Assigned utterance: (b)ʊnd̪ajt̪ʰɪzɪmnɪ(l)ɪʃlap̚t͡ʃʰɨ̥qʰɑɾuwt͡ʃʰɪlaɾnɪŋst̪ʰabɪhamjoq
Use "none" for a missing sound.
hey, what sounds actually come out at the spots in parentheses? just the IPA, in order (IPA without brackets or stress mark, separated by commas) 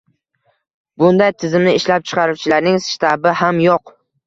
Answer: b, none